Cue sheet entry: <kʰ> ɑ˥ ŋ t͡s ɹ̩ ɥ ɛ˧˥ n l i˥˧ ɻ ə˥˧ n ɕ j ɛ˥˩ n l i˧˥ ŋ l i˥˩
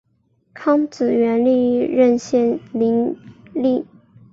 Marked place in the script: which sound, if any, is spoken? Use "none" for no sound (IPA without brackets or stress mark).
kʰ